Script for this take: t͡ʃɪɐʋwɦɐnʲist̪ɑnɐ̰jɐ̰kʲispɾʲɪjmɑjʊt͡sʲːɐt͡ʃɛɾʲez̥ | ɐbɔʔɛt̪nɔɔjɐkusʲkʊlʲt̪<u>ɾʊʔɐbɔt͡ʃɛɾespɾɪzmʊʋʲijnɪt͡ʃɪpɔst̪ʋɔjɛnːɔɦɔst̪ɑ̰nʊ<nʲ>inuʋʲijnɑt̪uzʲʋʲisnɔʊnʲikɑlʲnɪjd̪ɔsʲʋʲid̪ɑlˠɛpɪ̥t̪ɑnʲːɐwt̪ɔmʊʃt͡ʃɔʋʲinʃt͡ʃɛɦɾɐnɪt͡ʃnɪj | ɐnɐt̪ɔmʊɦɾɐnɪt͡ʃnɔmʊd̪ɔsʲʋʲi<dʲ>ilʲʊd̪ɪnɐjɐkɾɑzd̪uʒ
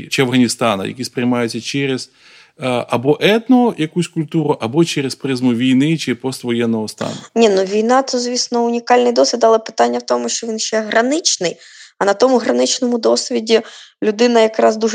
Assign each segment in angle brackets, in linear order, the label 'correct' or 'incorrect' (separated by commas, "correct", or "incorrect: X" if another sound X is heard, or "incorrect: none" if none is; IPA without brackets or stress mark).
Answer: correct, correct, correct